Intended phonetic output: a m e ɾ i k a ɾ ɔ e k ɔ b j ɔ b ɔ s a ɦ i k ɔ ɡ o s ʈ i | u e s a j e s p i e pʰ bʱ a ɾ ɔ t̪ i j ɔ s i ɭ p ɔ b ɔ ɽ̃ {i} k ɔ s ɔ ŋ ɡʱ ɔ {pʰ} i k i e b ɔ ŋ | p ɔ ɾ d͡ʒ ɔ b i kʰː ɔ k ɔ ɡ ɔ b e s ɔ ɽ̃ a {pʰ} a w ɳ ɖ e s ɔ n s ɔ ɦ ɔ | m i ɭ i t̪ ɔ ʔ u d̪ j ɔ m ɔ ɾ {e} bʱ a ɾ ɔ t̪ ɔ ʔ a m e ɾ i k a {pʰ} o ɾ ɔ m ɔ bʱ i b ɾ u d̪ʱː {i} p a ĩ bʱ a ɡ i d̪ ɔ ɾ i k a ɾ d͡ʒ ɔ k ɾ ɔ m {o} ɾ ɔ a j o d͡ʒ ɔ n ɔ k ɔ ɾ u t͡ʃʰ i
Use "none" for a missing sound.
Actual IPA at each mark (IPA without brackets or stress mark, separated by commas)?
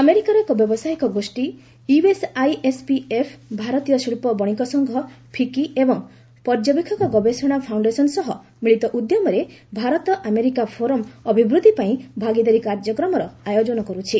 i, pʰ, pʰ, e, pʰ, i, ɔ